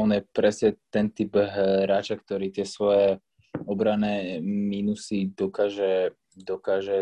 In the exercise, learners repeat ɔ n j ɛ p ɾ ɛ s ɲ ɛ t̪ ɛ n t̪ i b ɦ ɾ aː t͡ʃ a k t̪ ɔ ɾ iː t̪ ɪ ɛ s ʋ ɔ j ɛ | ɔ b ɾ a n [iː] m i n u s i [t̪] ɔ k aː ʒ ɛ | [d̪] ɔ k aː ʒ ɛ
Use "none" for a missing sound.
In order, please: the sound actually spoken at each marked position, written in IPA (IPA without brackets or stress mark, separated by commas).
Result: ɛː, d̪, d̪